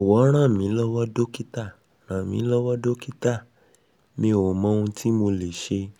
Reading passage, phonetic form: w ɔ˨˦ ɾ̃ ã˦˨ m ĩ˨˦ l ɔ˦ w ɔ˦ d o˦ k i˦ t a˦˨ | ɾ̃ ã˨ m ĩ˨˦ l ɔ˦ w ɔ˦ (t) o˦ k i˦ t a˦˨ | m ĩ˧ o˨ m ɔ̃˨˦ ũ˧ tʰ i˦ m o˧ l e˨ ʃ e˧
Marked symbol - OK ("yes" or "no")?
no